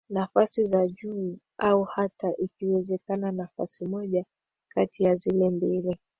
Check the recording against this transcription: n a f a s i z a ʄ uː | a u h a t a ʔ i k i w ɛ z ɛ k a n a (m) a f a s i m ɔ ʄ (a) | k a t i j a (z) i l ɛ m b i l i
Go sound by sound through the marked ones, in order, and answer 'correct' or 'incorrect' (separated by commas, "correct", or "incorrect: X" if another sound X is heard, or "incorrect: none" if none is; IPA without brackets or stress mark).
incorrect: n, correct, correct